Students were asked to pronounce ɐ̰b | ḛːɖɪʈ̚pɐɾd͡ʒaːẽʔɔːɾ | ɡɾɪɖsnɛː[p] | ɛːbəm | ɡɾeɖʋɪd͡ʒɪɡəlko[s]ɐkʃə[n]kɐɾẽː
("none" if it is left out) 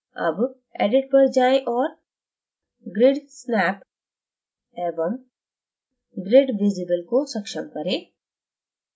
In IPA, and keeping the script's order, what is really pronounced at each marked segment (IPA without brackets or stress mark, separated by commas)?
p, s, m